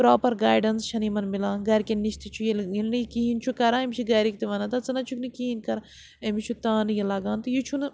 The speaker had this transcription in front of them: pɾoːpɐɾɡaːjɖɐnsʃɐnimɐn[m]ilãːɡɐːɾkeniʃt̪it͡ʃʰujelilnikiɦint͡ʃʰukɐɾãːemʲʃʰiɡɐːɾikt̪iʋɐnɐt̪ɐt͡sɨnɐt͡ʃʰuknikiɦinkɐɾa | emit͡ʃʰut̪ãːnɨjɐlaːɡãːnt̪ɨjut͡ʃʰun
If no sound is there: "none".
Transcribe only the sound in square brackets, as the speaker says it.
m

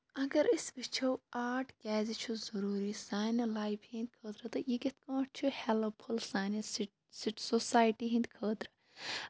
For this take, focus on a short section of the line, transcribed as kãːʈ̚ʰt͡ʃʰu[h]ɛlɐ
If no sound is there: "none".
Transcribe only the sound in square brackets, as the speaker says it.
h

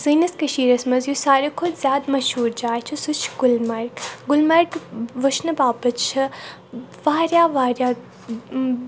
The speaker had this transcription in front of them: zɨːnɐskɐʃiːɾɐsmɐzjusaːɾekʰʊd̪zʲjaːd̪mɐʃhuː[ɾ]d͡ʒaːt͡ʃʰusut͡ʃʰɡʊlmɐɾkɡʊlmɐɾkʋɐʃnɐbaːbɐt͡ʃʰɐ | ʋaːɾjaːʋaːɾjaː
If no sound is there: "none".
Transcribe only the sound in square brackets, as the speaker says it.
ɾ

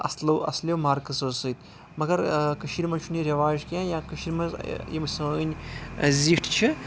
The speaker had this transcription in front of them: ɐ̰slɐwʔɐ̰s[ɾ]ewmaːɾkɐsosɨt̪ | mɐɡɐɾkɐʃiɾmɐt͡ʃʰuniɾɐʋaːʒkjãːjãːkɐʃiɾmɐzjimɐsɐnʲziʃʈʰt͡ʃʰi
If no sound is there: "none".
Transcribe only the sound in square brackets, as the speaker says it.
l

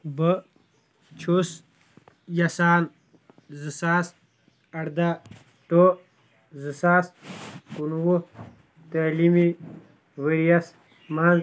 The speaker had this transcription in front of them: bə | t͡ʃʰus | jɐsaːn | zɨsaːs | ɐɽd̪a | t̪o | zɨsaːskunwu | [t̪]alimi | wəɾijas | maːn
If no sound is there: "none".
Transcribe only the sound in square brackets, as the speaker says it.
t̪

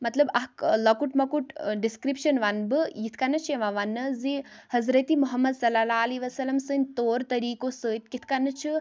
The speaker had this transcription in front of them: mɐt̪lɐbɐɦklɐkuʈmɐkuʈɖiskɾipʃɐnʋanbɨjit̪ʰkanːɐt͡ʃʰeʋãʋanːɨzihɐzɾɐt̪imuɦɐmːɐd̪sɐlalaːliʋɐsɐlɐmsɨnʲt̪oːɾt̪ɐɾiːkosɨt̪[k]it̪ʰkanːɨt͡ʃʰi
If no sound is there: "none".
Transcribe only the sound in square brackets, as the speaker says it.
k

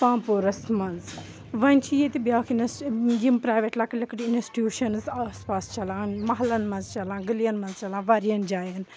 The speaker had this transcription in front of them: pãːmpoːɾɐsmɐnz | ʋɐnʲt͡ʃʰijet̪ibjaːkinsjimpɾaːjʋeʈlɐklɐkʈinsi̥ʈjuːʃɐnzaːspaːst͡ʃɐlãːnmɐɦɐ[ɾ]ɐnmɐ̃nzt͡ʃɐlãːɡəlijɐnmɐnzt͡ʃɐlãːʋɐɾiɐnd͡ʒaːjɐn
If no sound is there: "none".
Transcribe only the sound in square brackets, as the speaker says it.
l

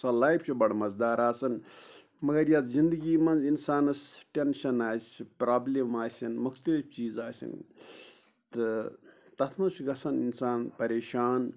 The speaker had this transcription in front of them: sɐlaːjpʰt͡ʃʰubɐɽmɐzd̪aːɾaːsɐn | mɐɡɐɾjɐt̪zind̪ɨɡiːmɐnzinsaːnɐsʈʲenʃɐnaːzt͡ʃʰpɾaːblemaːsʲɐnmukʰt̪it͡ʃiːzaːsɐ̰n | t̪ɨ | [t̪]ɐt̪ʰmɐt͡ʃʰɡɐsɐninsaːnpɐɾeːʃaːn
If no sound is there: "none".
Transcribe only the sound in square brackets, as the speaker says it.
t̪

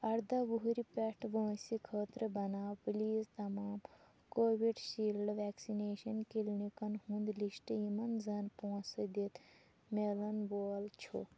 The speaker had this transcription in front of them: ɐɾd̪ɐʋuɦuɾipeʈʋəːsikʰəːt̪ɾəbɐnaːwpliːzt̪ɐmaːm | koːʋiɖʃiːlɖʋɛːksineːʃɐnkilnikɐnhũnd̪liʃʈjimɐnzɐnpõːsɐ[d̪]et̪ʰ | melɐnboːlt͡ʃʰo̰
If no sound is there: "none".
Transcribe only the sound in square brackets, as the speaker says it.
d̪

